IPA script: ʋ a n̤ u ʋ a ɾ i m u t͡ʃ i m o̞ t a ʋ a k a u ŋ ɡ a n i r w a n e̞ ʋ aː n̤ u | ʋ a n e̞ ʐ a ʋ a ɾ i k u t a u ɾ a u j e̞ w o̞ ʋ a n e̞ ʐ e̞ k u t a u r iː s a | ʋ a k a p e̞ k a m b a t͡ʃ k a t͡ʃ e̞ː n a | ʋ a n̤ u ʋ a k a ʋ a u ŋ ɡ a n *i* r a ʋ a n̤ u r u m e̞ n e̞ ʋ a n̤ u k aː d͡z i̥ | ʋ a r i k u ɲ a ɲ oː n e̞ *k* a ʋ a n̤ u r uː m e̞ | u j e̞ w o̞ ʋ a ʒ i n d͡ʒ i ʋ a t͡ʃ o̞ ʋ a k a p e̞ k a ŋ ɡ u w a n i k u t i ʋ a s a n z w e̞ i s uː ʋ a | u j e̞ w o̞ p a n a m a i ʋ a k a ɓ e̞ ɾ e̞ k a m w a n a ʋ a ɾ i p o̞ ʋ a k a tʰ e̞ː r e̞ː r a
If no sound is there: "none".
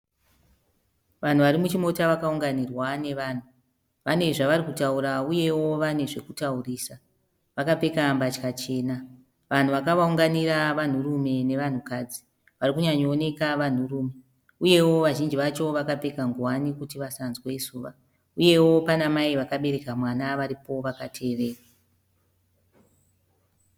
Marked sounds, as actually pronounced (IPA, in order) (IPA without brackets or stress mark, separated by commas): i, k